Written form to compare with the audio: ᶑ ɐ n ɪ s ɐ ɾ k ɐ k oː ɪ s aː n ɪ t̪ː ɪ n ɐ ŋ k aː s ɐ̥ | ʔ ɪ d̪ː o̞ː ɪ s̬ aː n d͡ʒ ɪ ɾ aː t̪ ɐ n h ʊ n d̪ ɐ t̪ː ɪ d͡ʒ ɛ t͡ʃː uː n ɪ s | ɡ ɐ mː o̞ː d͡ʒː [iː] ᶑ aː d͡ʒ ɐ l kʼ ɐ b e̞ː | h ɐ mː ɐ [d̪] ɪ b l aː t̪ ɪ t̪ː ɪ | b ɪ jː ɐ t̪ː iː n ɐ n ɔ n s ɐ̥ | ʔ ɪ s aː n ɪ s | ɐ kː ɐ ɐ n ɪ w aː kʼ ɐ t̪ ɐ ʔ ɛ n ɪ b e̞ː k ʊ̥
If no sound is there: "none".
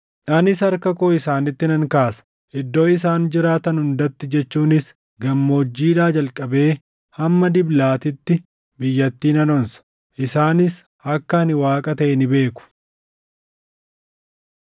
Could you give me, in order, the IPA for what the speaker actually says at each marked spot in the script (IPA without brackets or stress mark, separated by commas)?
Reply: iː, d̪